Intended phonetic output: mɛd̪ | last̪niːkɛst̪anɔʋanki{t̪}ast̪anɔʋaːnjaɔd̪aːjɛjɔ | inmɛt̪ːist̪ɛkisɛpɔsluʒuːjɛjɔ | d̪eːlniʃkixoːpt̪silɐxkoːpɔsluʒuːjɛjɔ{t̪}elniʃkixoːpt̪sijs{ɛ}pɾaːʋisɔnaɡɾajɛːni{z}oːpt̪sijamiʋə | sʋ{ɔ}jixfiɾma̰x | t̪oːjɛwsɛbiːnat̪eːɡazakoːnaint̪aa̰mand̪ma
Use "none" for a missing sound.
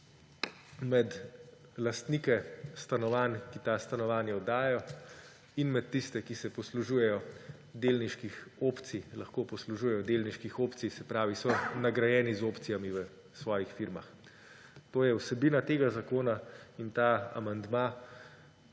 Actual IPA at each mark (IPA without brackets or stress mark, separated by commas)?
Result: t̪, d̪, ɛ, z, ɔː